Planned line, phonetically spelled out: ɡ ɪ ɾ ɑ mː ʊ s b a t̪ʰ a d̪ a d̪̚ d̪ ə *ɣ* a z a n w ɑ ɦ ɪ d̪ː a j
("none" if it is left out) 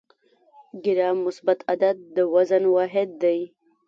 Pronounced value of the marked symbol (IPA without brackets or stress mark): w